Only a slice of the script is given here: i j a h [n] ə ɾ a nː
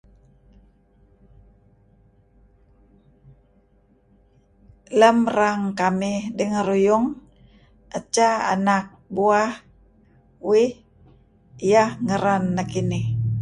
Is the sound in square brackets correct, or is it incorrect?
incorrect